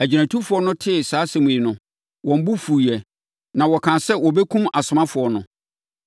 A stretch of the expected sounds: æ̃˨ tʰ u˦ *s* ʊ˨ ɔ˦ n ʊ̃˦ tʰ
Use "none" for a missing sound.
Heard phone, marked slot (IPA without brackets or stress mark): f